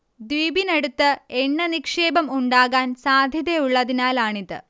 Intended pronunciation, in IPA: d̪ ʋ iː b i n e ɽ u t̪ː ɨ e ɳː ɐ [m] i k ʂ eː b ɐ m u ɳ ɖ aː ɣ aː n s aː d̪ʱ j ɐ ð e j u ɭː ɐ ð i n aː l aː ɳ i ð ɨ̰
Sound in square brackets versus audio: incorrect: n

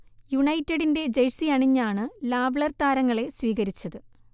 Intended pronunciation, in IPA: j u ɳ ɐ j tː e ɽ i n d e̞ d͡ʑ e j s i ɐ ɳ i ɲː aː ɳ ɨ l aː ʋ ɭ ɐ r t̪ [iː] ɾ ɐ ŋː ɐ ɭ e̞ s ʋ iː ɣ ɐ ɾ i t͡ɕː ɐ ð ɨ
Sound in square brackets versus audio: incorrect: aː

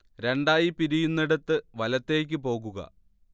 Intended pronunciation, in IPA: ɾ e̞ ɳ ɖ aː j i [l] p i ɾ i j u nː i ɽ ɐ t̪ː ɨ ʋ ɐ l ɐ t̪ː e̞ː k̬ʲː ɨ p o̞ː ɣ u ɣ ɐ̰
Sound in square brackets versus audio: incorrect: none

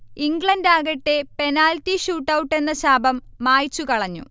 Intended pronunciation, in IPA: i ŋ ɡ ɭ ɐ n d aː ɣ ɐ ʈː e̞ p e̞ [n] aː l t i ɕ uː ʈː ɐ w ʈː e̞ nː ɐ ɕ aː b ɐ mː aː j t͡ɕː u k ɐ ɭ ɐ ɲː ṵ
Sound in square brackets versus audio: correct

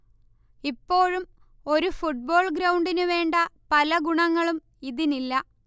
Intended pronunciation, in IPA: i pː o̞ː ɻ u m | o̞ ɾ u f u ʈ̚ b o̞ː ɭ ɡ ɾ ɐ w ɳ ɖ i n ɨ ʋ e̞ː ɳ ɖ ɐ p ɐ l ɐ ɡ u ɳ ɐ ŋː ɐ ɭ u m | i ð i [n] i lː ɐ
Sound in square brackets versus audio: correct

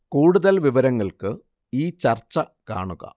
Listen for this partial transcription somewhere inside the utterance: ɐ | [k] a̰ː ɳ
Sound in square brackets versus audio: correct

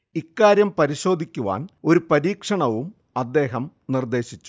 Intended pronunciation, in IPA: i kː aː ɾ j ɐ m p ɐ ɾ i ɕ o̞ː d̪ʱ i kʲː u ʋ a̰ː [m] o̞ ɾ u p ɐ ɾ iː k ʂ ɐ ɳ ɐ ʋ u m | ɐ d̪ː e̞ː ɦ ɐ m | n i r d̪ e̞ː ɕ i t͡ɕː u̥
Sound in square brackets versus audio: incorrect: n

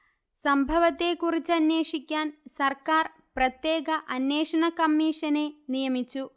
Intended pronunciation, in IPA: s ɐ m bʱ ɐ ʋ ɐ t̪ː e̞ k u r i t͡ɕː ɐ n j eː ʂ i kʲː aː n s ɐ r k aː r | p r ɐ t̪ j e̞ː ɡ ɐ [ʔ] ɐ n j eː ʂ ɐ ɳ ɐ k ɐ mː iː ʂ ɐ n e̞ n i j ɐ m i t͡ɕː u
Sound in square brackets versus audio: correct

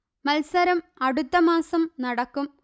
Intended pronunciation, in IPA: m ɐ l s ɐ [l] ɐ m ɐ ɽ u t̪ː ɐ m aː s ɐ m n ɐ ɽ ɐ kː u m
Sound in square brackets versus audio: incorrect: ɾ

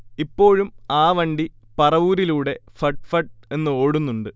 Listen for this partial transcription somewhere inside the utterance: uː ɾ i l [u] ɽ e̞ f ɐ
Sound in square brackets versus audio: incorrect: uː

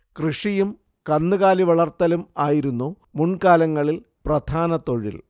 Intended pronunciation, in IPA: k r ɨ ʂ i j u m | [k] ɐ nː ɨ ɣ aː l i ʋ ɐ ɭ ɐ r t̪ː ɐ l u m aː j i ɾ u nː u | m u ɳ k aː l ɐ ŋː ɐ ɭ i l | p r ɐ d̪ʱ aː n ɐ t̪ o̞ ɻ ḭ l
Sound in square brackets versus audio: correct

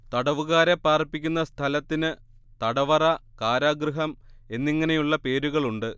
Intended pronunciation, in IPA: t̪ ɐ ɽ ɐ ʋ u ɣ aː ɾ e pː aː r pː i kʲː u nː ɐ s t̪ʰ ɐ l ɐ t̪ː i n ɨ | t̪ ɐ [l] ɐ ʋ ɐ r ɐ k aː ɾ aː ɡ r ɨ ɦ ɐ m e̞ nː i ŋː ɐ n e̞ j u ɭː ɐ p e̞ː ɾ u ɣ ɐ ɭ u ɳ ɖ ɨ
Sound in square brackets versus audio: incorrect: ɽ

